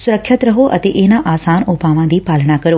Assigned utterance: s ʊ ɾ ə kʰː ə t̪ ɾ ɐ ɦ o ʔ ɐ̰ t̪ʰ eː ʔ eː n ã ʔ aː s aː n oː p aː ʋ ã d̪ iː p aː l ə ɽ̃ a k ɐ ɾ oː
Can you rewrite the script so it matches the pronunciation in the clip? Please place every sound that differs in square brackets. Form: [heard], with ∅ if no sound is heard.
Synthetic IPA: s ʊ ɾ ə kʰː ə t̪ ɾ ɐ ɦ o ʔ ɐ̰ [t̪] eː ʔ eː n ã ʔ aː s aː n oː p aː ʋ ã d̪ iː p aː l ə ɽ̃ a k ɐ ɾ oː